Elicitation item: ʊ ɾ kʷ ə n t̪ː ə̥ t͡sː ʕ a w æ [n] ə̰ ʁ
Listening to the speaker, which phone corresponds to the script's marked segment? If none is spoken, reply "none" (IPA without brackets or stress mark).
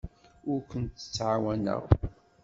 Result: n